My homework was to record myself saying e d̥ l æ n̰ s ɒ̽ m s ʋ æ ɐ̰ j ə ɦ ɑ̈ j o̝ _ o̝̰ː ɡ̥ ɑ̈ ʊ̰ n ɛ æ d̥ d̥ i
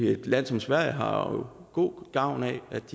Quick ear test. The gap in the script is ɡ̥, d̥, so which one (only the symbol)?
ɡ̥